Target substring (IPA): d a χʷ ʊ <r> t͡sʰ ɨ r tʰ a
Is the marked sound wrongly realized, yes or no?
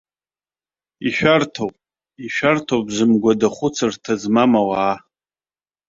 yes